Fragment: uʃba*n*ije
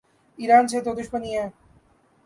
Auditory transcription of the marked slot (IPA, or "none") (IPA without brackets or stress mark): n